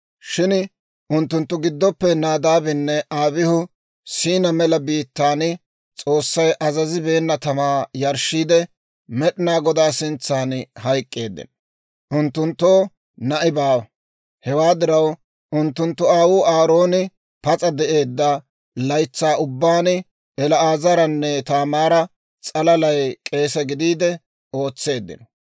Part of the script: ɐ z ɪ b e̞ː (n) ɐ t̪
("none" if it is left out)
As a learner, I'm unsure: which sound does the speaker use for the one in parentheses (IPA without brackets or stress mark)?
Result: nː